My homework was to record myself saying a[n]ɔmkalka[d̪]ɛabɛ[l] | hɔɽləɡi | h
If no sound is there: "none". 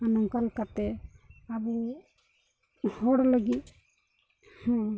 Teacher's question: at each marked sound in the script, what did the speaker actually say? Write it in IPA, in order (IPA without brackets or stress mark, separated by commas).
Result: n, t̪, none